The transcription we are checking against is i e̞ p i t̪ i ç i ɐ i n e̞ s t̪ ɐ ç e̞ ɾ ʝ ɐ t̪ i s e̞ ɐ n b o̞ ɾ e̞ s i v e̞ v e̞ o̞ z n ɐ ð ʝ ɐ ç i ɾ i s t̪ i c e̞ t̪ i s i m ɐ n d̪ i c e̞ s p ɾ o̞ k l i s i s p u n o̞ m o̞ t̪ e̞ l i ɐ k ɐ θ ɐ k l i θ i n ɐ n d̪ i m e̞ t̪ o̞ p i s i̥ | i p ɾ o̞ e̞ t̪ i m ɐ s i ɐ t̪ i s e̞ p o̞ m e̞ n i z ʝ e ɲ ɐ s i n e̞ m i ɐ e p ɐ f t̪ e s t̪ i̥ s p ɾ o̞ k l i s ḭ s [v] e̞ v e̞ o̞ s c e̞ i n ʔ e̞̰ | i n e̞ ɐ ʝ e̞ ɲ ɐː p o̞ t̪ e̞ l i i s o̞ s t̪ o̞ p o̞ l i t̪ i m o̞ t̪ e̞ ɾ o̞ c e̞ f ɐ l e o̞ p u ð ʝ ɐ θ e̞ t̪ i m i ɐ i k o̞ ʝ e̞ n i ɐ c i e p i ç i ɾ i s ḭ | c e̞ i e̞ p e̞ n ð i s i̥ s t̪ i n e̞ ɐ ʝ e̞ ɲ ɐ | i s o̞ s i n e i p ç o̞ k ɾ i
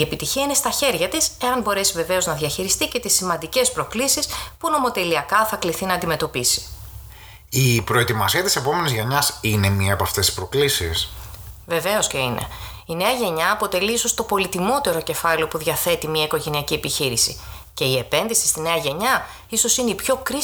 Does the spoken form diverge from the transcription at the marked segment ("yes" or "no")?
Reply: no